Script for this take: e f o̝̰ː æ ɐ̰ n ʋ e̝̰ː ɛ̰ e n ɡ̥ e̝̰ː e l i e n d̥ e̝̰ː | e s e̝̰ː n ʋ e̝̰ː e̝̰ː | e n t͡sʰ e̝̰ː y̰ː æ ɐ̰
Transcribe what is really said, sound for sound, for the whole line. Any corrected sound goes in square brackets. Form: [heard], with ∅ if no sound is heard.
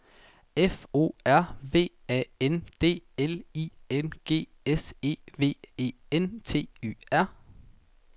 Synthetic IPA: e f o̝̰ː æ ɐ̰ [∅] ʋ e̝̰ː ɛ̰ e n [d̥] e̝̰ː e l i e n [ɡ̥] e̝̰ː | e s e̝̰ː [∅] ʋ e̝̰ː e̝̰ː | e n t͡sʰ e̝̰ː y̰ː æ ɐ̰